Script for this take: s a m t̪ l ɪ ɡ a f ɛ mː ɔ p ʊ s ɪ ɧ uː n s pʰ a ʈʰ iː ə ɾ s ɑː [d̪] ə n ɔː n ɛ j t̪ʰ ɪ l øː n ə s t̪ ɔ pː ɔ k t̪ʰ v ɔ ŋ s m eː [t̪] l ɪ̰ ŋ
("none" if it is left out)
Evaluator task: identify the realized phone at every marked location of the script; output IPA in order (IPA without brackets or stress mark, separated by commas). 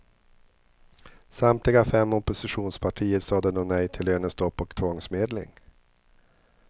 d̪, d̪